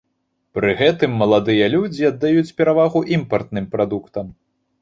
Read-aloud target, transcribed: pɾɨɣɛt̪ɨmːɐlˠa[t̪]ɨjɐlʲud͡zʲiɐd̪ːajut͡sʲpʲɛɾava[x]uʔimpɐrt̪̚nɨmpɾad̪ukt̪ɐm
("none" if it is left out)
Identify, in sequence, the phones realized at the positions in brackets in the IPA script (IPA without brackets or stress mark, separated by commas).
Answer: d̪, ɣ